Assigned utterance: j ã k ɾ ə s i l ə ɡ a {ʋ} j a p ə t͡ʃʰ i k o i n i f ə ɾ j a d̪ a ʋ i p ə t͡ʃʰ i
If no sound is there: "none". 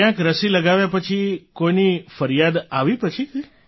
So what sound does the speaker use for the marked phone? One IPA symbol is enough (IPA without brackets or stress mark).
ʋ